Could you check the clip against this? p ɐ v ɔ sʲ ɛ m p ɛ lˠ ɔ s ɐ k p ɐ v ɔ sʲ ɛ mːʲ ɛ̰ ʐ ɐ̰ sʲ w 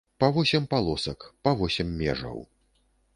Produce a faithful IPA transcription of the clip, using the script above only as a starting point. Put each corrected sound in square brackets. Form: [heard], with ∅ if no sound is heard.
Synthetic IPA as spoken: p ɐ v ɔ sʲ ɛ m p [a] lˠ ɔ s ɐ k p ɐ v ɔ sʲ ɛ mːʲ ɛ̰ ʐ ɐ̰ [∅] w